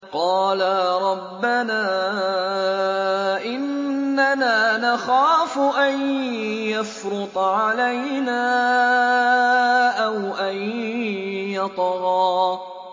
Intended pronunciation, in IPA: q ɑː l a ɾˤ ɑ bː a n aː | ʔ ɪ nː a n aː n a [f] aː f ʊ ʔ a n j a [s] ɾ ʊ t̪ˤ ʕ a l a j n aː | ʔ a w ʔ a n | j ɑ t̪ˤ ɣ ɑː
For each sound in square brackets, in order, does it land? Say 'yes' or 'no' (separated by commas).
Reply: no, no